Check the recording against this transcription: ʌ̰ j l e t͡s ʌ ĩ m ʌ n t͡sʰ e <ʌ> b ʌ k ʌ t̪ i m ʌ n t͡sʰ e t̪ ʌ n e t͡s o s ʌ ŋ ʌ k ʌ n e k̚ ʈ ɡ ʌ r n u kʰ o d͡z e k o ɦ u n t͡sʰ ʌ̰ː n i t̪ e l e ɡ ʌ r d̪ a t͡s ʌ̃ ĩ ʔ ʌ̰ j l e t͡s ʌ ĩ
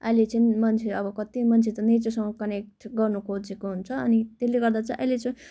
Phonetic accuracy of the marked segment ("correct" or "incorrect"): correct